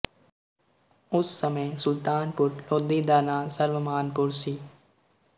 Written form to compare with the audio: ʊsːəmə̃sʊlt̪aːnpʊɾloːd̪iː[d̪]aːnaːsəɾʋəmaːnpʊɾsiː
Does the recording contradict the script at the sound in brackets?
no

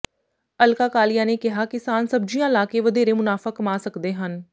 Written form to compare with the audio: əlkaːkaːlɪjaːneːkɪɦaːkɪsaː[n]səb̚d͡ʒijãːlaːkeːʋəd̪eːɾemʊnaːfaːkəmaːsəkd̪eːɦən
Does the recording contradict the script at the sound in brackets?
no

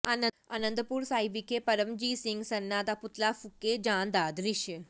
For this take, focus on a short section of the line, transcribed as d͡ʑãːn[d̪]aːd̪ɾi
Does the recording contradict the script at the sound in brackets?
no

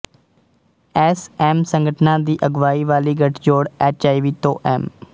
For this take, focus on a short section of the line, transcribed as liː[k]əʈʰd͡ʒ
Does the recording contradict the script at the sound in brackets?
yes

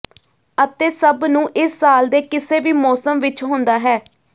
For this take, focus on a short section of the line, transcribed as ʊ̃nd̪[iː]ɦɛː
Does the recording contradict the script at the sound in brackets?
yes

